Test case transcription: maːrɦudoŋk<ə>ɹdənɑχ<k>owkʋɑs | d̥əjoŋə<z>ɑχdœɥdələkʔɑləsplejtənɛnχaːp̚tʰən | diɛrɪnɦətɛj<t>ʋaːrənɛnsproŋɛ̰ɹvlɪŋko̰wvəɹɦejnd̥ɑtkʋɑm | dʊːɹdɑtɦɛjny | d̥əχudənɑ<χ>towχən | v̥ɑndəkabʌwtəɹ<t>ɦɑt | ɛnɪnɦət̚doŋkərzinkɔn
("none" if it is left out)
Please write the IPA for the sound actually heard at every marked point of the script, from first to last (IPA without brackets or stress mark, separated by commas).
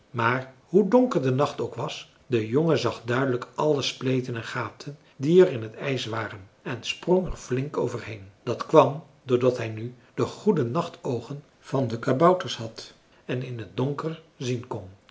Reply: ə, t, z, s, χ, s